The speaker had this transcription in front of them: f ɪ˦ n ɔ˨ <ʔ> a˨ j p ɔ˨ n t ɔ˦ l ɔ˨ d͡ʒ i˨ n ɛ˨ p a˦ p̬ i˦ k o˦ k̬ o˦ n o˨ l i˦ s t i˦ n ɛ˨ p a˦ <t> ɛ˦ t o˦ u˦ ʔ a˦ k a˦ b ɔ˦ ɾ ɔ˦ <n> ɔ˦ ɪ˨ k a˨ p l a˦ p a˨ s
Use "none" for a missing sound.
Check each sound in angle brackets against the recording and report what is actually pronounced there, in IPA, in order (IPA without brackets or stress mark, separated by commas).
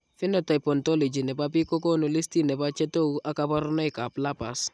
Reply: t, t͡ʃ, n